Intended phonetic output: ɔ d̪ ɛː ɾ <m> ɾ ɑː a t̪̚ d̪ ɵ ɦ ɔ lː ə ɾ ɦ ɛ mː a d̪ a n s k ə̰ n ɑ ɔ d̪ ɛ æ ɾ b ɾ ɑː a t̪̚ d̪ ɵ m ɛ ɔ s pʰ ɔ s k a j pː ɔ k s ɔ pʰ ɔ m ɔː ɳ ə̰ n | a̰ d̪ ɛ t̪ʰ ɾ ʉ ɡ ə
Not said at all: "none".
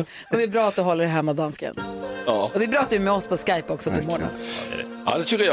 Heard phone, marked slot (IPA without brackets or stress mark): b